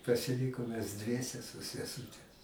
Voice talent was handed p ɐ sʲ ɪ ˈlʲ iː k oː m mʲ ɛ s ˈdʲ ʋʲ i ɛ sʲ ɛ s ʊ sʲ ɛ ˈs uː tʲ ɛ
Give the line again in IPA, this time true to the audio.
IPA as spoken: p ɐ sʲ ɪ ˈlʲ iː k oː m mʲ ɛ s ˈdʲ ʋʲ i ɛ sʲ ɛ s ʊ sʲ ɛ ˈs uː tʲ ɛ